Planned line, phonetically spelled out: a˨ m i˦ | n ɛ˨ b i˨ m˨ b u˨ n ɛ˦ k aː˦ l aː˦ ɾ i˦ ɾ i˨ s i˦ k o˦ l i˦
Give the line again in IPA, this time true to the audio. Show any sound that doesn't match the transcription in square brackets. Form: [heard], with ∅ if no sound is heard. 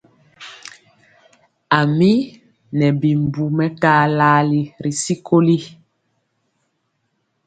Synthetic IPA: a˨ m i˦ | n ɛ˨ b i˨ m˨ b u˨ [m] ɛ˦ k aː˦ l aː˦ [l] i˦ ɾ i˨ s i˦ k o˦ l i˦